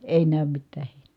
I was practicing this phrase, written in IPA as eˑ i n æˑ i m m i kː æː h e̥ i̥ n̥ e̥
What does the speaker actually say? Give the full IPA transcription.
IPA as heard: eˑ i n æˑ y m m i tː æː h e̥ i̥ n̥ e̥